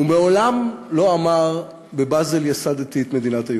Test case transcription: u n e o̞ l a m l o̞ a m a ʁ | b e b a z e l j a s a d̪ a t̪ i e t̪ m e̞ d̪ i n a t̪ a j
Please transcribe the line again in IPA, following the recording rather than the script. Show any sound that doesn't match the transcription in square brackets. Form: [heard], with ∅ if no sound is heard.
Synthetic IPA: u [m] e o̞ l a m l o̞ a m a ʁ | b e b a z e l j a s a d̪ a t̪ i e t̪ m e̞ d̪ i n a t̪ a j